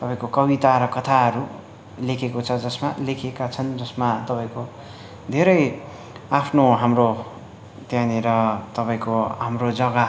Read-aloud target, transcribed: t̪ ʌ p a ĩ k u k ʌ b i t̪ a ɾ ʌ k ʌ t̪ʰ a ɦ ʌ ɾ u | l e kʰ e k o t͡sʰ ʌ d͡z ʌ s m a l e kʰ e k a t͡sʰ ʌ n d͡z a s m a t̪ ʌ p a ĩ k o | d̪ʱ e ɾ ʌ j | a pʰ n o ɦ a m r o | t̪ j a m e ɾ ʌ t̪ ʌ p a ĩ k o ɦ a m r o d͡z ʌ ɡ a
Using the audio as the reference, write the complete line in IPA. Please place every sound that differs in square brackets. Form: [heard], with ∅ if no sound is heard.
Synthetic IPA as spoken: t̪ ʌ p a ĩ k [o] k ʌ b i t̪ a ɾ ʌ k ʌ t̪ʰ a ɦ ʌ ɾ u | l e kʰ e k o t͡sʰ ʌ d͡z ʌ s m a l e kʰ e k a t͡sʰ ʌ n d͡z [ʌ] s m a t̪ ʌ p a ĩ k o | d̪ʱ e ɾ ʌ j | a pʰ n o ɦ a m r o | t̪ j a [n] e ɾ ʌ t̪ ʌ p a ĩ k o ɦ a m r o d͡z ʌ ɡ a